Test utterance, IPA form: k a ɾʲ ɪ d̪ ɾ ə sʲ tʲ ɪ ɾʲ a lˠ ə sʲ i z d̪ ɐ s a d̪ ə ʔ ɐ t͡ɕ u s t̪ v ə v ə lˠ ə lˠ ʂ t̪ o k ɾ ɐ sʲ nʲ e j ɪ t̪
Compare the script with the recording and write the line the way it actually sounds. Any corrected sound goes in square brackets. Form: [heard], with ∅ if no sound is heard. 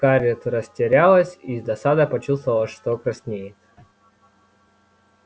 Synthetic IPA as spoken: k a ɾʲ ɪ [t̪] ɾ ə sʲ tʲ ɪ ɾʲ a lˠ ə sʲ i z d̪ ɐ s a d̪ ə [p] ɐ t͡ɕ u s t̪ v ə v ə lˠ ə [∅] ʂ t̪ o k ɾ ɐ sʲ nʲ e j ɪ t̪